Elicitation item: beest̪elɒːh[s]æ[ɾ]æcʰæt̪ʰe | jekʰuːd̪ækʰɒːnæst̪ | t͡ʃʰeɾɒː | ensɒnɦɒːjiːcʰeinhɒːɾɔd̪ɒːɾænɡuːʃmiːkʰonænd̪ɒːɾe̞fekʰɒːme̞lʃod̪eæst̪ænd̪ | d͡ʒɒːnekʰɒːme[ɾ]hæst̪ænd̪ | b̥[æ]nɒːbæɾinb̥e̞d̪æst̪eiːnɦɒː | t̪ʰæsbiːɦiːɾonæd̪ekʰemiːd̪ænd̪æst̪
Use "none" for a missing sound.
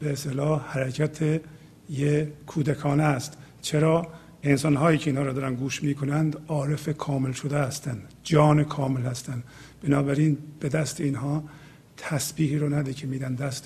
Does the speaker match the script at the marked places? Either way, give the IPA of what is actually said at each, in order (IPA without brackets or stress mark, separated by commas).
h, ɾ, l, e